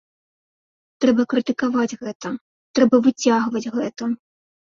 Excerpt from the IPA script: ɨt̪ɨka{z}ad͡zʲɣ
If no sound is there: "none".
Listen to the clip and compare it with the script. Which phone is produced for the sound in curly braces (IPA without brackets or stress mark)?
v